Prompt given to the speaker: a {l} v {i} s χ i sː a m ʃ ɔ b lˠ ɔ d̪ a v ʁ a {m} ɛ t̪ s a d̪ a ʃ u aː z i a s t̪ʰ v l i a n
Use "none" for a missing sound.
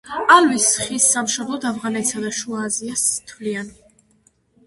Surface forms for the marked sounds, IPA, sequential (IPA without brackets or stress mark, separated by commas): l, i, n